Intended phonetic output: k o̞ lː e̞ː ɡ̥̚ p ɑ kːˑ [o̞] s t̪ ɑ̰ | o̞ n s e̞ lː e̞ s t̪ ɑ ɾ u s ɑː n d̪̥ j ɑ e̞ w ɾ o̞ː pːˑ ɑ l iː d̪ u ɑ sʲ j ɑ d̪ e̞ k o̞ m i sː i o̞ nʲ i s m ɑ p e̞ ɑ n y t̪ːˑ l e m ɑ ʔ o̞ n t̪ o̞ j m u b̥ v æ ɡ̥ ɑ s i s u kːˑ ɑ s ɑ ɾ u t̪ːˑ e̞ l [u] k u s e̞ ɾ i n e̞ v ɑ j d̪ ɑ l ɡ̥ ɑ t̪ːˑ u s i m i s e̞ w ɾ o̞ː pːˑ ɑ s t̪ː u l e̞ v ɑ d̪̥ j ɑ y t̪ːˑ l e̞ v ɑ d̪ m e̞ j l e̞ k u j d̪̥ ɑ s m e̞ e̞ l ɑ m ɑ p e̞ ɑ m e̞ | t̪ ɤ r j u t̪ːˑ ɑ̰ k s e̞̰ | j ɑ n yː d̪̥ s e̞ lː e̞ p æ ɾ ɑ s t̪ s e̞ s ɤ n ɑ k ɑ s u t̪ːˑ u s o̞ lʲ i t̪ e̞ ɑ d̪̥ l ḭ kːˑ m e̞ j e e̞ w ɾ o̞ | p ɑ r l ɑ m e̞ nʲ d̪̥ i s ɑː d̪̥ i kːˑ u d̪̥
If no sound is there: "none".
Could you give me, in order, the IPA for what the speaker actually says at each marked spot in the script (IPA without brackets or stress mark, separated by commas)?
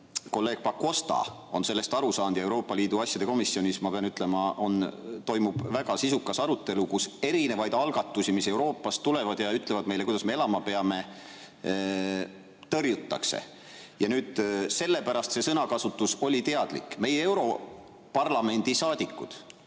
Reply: o̞, u